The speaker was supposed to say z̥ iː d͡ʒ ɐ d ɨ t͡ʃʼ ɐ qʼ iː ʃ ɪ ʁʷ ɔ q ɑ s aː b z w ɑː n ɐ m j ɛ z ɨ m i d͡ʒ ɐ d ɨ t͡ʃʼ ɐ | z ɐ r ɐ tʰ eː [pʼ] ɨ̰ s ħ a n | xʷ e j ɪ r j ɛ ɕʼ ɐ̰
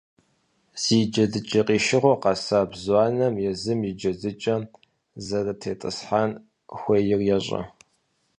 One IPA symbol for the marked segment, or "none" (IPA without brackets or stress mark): tʼ